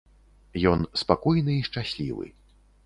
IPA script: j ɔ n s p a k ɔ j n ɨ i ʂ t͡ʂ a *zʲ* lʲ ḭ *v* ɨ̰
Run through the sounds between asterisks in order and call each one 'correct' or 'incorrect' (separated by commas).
incorrect, correct